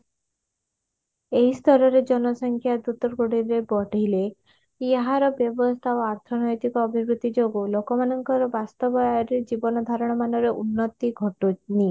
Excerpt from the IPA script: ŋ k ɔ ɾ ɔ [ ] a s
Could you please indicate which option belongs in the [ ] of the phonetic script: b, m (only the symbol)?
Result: b